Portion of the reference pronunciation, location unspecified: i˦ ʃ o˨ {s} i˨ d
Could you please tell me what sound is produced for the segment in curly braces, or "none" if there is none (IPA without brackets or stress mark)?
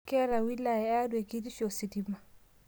s